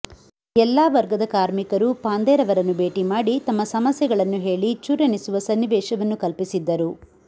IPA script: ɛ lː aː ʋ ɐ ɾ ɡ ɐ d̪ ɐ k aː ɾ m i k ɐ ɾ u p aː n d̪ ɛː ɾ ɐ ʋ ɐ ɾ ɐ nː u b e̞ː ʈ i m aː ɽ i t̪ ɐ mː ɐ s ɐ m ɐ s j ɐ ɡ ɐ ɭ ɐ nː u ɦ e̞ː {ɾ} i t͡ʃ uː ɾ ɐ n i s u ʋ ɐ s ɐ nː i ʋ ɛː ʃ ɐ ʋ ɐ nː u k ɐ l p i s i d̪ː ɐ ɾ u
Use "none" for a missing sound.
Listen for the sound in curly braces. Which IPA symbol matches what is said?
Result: ɭ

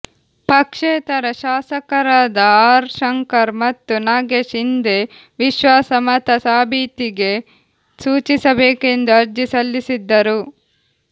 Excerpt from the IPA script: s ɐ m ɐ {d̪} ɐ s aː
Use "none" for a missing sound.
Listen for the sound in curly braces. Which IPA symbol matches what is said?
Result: t̪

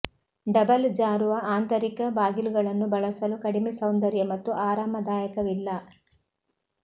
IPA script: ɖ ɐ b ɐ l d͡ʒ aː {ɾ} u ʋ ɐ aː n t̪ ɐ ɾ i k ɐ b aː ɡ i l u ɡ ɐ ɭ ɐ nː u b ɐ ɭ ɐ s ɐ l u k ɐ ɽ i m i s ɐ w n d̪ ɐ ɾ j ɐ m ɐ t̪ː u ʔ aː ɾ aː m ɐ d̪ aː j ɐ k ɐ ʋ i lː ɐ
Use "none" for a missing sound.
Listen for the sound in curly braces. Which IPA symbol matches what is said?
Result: ɾ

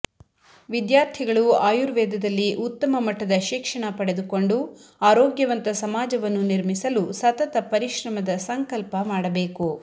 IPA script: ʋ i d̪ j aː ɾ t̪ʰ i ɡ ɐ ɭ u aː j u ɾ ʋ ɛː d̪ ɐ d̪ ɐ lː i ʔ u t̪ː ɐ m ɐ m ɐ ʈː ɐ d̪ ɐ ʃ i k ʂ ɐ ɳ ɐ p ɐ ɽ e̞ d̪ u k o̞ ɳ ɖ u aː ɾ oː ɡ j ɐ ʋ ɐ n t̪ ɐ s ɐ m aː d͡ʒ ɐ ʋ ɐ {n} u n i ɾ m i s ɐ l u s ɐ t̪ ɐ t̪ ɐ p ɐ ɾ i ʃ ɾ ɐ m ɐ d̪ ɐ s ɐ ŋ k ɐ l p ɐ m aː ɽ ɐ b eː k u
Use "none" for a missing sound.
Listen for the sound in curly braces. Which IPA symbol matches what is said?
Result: nː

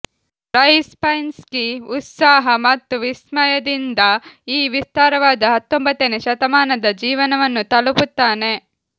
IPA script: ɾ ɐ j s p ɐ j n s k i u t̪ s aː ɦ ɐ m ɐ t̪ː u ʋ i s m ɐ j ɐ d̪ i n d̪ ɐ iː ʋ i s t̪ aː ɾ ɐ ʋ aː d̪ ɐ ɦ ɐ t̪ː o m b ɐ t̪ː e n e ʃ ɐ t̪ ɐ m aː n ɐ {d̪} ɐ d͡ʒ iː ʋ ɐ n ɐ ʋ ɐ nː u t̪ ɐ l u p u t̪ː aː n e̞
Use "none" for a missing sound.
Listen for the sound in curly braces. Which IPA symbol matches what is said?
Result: d̪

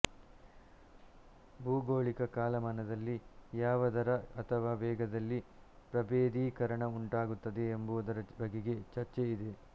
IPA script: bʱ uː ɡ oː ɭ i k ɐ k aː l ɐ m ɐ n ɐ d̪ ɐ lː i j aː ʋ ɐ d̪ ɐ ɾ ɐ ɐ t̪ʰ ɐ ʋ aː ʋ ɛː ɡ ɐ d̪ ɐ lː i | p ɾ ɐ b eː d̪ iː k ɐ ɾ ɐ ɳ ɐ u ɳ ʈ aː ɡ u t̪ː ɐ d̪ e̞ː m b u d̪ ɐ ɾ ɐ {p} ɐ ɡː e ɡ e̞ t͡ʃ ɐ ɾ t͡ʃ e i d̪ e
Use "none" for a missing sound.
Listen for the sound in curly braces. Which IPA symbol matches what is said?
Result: b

